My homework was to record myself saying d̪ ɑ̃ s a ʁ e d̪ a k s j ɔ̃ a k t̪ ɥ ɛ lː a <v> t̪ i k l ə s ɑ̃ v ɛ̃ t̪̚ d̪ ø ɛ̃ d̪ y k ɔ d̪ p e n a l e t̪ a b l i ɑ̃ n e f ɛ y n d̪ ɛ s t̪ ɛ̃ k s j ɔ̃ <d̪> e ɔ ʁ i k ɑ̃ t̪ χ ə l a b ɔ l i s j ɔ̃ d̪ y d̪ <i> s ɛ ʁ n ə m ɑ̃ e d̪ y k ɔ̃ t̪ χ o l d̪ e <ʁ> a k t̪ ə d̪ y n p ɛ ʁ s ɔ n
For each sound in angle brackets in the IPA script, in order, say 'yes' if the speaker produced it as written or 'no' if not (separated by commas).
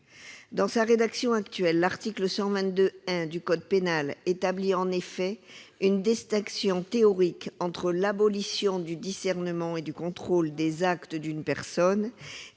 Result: no, no, yes, no